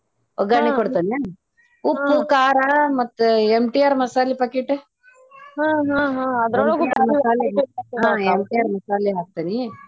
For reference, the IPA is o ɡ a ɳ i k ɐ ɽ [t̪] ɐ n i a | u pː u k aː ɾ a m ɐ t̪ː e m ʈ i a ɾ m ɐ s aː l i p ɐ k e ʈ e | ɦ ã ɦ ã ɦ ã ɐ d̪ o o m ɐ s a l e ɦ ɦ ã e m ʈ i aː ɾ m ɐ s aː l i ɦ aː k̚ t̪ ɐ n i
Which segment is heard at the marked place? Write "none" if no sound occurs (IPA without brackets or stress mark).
t̪